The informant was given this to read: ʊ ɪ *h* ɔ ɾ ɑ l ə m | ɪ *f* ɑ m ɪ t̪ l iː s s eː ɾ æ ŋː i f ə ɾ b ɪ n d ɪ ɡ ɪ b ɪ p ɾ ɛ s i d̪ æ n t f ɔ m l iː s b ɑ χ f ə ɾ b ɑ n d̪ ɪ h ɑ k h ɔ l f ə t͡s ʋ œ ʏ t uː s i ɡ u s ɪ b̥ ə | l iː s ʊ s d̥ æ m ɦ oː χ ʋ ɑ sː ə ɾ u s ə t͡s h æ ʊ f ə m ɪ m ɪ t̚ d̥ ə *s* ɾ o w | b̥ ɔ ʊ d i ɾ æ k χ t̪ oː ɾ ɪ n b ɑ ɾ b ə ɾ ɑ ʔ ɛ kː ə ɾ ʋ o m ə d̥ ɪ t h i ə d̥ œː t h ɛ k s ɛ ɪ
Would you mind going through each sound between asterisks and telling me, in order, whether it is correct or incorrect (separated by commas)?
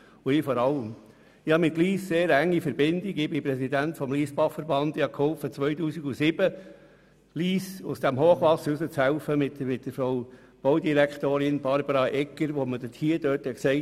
incorrect, incorrect, incorrect